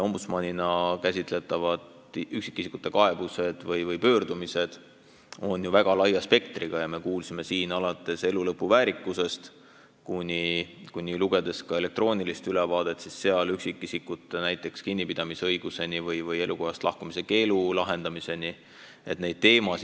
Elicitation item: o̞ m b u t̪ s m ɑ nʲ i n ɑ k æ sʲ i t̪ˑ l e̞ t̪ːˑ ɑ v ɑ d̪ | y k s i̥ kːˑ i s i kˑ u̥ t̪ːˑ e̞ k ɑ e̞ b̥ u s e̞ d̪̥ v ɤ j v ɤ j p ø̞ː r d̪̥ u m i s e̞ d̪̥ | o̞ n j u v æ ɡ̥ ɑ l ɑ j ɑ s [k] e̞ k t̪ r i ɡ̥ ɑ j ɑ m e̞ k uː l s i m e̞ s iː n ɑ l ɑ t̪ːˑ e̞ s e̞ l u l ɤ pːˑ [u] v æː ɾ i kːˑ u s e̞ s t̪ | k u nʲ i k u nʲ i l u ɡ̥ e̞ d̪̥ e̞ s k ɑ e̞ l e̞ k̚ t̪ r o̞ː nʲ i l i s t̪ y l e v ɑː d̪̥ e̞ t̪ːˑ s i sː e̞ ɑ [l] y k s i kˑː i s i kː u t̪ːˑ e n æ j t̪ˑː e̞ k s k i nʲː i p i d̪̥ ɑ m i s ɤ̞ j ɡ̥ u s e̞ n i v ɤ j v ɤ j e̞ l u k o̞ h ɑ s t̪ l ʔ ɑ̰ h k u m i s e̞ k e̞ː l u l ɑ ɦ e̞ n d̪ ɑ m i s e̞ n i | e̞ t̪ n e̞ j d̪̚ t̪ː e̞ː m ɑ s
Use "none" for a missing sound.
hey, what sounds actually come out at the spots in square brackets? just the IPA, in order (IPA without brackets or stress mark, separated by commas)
p, u, l